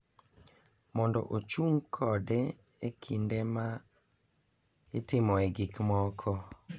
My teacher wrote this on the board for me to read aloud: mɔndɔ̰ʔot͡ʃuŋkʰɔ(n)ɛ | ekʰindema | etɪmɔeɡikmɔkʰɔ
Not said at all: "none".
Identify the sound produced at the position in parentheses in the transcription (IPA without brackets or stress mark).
d